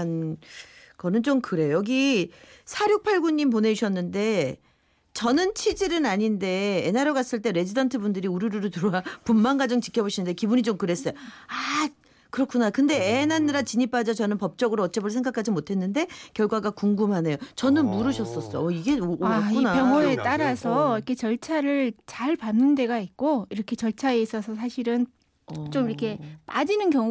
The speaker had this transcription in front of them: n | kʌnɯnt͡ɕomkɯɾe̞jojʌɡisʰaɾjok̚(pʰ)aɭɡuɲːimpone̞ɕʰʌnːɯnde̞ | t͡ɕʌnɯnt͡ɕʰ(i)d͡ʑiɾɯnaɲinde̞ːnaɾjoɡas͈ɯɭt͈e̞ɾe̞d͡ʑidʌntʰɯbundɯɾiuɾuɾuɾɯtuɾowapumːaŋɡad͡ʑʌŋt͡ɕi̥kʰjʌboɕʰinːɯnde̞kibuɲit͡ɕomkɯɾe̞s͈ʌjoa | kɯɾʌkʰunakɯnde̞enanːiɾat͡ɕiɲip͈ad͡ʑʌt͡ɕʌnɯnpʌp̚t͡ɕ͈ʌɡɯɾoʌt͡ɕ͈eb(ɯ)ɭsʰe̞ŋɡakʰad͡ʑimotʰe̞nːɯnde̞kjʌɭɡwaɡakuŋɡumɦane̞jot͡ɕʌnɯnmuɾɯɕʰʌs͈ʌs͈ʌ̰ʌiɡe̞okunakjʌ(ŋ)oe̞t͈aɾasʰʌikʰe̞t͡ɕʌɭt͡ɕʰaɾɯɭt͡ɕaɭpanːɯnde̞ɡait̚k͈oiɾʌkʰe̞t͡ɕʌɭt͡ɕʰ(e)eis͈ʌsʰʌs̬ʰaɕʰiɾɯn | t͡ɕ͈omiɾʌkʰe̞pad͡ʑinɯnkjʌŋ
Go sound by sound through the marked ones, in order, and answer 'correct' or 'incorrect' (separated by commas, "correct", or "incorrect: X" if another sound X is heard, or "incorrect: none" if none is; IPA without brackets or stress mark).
correct, correct, correct, correct, incorrect: a